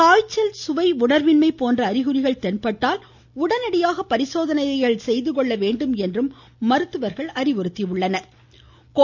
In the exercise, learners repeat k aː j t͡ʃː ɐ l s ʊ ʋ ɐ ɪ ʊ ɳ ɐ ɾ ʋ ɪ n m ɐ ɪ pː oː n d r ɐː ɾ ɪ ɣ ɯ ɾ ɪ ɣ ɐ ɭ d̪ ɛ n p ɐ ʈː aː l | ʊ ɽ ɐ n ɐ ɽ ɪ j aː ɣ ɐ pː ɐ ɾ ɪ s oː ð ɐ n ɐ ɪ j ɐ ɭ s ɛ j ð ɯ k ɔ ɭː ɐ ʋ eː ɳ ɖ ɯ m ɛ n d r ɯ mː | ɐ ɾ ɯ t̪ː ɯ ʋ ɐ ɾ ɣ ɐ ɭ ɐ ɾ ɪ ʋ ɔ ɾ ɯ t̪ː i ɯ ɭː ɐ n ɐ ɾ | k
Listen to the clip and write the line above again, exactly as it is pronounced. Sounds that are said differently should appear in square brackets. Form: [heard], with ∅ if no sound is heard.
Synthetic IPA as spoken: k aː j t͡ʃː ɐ l s ʊ ʋ ɐ ɪ ʊ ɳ ɐ ɾ ʋ ɪ n m ɐ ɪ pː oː n d r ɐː ɾ ɪ ɣ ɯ ɾ ɪ ɣ ɐ ɭ [t̪] ɛ n p ɐ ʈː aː l | ʊ ɽ ɐ n ɐ ɽ ɪ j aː ɣ ɐ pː ɐ ɾ ɪ s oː ð ɐ n ɐ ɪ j ɐ ɭ s ɛ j ð ɯ k ɔ ɭː ɐ ʋ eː ɳ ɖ ɯ m ɛ n d r ɯ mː | ɐ ɾ ɯ t̪ː ɯ ʋ ɐ ɾ ɣ ɐ ɭ ɐ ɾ ɪ ʋ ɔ ɾ ɯ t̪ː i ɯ ɭː ɐ n ɐ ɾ | k